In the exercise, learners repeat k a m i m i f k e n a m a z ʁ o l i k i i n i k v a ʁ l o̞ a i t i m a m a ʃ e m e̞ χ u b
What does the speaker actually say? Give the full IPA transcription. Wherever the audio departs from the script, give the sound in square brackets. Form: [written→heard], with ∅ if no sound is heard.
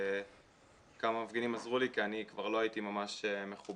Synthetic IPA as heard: k a m [i→a] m [i→a] f [k→ɡ] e n [a→i] m a z ʁ [o→u] l i k i [i→a] n i k v a ʁ l o̞ a i t i m a m a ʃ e m e̞ χ u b